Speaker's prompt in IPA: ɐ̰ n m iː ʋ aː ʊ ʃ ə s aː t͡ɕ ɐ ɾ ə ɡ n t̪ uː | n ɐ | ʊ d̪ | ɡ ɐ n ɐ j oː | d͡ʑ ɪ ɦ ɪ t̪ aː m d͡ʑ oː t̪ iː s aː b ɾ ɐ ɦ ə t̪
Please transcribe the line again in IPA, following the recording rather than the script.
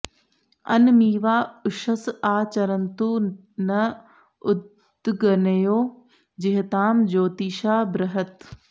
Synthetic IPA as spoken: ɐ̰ n m iː ʋ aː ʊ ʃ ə s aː t͡ɕ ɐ ɾ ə n t̪ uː | n ɐ | ʊ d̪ | ɡ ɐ n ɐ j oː | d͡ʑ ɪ ɦ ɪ t̪ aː m d͡ʑ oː t̪ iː ʃ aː b ɾ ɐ ɦ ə t̪